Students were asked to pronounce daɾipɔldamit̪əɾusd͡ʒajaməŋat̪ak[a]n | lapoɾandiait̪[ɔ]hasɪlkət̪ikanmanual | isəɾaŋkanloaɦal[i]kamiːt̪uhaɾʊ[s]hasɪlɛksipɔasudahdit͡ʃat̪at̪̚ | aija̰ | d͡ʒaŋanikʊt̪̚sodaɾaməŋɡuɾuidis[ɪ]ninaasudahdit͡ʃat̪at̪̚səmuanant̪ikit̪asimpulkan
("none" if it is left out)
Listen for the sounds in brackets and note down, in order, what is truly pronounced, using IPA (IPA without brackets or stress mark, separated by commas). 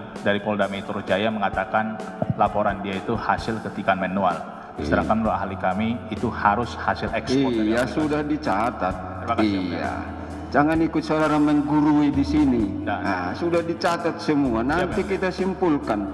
a, u, i, s, i